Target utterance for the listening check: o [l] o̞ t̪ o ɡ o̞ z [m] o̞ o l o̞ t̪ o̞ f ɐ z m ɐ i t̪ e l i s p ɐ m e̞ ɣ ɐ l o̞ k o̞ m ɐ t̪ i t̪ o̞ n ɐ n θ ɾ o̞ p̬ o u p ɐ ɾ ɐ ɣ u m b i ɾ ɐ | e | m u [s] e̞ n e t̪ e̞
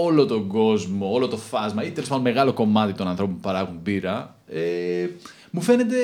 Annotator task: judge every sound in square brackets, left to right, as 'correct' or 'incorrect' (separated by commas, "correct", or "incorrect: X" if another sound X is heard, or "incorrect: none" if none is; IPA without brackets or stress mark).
correct, correct, incorrect: f